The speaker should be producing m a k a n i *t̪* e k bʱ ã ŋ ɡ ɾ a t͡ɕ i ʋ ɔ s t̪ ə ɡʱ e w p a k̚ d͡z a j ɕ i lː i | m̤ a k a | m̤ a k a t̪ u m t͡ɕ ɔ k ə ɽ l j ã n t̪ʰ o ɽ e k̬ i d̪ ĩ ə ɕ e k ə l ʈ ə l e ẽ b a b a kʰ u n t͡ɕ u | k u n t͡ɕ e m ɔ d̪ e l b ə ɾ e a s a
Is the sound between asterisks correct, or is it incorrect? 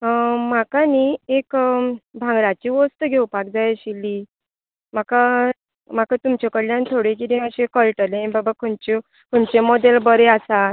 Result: incorrect